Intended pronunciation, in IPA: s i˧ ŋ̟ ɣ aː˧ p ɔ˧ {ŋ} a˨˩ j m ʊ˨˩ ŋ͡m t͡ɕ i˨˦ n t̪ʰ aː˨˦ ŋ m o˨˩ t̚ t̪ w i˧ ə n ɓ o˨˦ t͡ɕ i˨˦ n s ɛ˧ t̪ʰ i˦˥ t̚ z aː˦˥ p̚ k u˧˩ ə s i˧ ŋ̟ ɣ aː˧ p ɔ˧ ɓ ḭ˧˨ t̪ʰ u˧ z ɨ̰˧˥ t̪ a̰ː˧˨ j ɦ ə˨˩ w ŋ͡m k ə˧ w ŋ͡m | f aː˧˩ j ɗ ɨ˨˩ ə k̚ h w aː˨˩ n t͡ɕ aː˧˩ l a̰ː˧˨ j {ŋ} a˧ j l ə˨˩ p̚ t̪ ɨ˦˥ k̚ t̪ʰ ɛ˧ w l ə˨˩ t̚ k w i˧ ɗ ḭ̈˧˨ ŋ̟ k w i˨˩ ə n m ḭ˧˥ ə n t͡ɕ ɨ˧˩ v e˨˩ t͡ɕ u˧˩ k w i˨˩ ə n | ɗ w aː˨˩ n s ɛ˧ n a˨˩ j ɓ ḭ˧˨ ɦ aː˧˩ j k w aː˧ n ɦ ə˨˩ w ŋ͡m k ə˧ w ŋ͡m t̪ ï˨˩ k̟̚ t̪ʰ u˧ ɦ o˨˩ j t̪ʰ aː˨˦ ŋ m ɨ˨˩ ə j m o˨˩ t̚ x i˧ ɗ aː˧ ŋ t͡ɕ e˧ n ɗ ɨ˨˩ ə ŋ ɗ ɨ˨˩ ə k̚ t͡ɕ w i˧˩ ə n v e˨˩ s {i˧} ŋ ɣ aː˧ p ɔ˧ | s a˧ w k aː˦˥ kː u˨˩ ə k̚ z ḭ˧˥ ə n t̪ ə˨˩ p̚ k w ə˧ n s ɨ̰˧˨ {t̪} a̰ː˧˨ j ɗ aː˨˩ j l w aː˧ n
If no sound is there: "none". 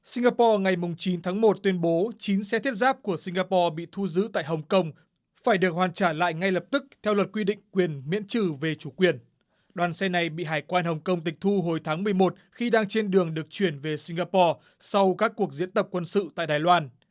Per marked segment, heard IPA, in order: ŋ, ŋ, i˧, t̪

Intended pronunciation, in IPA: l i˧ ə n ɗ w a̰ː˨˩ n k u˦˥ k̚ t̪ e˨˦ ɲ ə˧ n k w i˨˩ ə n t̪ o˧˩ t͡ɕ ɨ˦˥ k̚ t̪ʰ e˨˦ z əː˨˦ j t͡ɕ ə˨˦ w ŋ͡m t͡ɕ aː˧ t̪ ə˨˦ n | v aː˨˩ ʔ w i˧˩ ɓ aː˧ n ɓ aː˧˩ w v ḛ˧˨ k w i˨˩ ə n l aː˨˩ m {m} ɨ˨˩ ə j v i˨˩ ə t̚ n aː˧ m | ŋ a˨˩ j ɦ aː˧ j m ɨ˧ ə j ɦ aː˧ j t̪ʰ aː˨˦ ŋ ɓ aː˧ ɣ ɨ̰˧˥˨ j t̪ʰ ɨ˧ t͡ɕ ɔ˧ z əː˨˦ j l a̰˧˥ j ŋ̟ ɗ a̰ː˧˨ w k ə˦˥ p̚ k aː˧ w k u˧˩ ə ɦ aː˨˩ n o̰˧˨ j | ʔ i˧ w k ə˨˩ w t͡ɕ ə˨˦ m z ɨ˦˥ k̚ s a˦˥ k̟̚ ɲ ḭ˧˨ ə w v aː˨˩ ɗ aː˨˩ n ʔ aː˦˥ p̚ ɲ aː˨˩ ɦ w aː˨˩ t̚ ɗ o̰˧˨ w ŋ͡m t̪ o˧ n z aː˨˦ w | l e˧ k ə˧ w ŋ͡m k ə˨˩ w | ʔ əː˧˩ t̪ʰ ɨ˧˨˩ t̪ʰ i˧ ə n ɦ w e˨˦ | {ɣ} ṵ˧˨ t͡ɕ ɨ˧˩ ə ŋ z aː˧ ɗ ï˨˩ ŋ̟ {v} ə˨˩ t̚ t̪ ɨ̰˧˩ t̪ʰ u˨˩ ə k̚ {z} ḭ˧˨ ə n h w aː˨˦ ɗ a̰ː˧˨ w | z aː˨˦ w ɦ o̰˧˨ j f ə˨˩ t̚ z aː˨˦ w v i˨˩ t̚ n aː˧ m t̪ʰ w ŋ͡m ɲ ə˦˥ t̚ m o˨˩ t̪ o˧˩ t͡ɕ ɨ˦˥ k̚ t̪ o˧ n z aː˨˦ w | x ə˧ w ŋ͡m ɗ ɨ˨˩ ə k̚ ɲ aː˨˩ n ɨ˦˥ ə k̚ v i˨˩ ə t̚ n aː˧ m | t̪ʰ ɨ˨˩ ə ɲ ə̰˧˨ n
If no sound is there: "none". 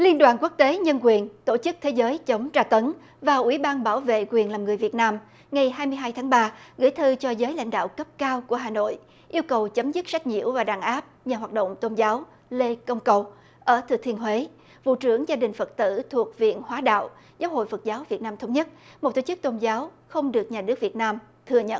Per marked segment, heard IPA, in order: ŋ, v, f, v

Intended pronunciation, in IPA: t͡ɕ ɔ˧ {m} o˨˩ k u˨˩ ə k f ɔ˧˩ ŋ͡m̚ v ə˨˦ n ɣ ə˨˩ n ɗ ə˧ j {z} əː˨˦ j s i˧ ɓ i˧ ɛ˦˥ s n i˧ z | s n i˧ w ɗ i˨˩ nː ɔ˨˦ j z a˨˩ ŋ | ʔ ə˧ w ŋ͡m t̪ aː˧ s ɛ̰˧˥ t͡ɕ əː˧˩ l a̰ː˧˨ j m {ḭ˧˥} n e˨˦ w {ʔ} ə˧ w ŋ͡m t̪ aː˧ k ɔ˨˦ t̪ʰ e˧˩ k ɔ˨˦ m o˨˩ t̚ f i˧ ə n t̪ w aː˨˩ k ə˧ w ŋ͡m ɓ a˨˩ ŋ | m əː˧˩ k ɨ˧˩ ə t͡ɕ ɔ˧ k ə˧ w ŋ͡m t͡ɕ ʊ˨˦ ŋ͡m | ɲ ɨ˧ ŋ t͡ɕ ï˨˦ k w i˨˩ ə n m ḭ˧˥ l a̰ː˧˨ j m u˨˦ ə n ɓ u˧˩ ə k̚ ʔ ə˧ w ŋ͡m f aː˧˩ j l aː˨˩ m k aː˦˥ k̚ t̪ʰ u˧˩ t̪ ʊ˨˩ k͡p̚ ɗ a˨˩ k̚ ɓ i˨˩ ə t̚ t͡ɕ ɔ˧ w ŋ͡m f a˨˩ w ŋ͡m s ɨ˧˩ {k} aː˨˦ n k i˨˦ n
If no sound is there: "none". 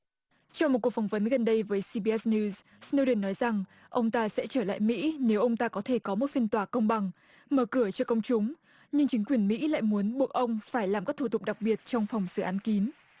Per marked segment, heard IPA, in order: ŋ͡m, v, ḭ˧˥, ʔ, ʔ

